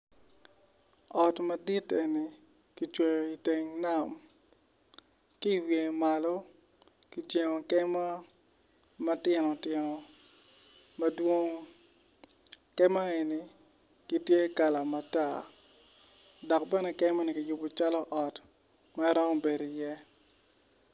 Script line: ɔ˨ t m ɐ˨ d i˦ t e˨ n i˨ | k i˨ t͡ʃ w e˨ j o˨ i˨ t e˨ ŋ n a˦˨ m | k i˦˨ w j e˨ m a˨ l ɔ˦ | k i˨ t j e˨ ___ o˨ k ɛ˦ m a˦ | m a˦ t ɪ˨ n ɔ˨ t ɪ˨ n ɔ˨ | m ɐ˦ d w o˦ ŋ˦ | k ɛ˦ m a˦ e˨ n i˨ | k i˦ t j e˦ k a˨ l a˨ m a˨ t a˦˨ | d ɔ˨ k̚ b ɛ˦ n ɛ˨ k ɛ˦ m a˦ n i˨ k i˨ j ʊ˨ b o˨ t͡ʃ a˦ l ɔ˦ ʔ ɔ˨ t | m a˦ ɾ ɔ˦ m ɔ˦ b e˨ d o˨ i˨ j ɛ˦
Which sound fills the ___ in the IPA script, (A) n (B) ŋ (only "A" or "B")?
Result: B